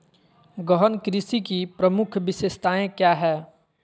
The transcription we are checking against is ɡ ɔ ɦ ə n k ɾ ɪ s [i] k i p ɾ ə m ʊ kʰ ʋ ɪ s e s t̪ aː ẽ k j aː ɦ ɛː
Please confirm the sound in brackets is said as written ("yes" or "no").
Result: yes